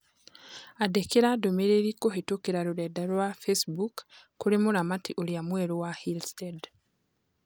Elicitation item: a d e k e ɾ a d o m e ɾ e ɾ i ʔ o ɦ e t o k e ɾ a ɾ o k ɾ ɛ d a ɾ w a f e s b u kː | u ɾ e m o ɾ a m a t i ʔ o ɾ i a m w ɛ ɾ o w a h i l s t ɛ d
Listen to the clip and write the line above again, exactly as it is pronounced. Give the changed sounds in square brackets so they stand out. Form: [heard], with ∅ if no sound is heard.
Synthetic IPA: a d e k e ɾ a d o m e ɾ e ɾ i [k] o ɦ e t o k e ɾ a ɾ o [∅] ɾ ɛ d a ɾ w a f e s b u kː | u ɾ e m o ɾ a m a t i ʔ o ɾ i a m w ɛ ɾ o w a h i l s t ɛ d